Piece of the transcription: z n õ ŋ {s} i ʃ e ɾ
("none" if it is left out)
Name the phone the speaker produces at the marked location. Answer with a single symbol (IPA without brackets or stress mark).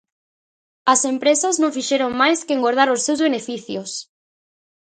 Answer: f